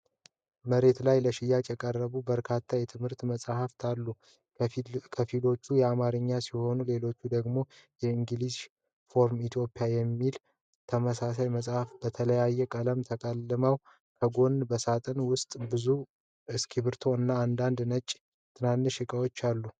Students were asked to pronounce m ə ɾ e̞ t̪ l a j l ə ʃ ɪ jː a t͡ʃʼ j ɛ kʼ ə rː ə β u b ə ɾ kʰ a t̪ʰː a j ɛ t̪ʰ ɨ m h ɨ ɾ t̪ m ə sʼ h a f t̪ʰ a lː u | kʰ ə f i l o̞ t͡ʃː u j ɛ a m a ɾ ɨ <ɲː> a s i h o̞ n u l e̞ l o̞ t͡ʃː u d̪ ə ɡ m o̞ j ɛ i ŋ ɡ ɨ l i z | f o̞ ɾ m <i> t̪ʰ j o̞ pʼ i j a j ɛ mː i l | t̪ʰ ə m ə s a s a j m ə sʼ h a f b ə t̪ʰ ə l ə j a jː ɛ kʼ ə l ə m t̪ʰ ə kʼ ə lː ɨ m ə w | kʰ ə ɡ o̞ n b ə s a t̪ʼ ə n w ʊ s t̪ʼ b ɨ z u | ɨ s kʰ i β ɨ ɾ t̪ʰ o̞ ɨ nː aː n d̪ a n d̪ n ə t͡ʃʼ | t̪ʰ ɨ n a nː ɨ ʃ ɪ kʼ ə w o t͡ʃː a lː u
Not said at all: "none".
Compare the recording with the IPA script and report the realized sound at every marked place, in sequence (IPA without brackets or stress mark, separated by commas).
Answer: ɲː, i